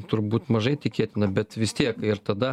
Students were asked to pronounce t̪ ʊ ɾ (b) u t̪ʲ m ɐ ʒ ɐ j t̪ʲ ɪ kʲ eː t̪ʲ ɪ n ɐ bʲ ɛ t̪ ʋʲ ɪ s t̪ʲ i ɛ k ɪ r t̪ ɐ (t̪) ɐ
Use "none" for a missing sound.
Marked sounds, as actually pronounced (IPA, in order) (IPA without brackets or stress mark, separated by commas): b, d̪